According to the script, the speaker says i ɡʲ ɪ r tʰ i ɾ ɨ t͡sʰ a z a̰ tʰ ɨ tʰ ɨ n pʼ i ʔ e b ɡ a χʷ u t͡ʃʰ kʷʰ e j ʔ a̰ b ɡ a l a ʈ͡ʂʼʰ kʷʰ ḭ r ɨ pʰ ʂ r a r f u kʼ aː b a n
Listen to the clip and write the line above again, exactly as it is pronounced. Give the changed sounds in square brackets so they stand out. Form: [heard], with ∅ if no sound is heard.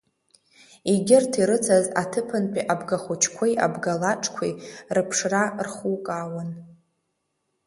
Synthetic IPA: i ɡʲ ɪ r tʰ i ɾ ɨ t͡sʰ a z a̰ tʰ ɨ [pʰ] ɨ n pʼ i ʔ [a] b ɡ a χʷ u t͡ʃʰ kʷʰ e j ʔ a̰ b ɡ a l a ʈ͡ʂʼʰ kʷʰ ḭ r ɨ pʰ ʂ r a r [χ] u kʼ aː [w] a n